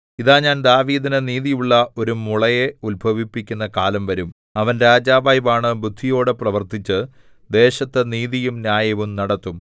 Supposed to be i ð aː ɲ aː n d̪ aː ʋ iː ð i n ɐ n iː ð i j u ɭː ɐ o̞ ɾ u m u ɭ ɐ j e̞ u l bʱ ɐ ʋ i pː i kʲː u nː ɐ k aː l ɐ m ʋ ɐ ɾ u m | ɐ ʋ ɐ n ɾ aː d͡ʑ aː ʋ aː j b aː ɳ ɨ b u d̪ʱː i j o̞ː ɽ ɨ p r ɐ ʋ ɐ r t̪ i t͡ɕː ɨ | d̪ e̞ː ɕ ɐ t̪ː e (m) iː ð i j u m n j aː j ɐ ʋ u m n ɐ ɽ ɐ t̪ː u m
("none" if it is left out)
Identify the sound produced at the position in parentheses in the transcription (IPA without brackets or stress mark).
n